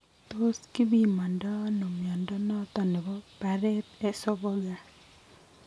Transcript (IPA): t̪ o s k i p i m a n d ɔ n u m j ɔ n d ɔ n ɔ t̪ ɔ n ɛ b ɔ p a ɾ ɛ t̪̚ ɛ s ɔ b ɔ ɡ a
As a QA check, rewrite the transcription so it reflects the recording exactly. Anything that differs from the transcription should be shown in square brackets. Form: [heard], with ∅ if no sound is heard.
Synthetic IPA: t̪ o s k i [b] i m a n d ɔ n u m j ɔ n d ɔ n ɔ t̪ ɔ n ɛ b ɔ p a ɾ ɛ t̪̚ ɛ s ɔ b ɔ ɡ a